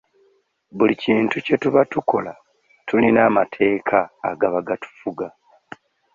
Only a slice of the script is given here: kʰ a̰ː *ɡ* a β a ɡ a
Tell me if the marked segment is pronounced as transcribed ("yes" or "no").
yes